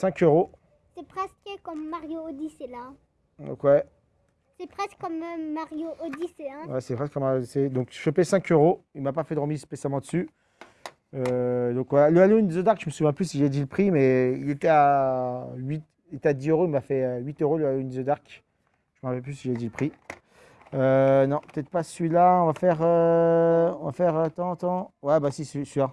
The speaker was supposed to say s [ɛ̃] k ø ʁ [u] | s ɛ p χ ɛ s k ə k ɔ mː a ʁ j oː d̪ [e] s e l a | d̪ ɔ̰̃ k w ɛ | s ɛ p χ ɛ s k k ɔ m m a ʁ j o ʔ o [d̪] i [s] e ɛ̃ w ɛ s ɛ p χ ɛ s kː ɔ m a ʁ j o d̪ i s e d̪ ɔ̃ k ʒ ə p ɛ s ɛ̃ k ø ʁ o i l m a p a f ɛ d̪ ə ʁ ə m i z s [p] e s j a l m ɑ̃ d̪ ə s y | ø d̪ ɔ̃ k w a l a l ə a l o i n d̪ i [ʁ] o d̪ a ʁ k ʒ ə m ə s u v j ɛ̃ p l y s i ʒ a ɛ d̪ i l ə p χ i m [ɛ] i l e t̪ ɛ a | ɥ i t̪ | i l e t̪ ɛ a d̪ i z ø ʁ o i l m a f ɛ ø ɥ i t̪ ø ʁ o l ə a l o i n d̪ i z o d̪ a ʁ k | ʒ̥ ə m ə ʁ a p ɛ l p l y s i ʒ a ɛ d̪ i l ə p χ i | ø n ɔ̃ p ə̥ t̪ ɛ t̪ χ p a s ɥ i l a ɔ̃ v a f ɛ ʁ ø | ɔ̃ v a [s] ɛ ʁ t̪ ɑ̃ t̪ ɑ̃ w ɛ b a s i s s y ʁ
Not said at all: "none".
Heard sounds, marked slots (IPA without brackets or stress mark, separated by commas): ɛ̃, o, i, d̪, s, p, z, ɛ, f